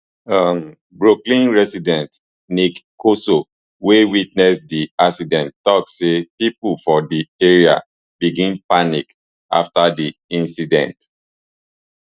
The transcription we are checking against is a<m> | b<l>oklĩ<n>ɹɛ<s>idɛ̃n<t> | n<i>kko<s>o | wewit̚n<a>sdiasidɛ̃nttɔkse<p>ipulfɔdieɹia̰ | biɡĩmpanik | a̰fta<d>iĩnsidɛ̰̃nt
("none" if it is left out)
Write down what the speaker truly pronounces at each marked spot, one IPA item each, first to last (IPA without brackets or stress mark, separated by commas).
m, ɹ, n, s, t, i, s, ɛ, p, d